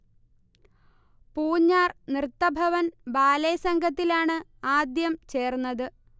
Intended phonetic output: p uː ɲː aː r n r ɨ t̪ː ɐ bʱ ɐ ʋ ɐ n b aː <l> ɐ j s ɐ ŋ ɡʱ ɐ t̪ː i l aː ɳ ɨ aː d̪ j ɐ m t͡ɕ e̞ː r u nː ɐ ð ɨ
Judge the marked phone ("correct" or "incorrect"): correct